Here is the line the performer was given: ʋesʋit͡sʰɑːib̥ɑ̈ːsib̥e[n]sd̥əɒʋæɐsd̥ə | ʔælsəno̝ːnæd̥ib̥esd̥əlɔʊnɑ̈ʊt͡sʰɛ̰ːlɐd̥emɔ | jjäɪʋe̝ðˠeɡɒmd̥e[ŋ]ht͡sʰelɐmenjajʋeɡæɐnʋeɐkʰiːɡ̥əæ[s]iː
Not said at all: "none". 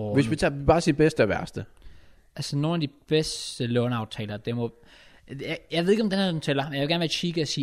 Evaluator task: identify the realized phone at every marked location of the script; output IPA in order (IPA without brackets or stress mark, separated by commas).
none, n, s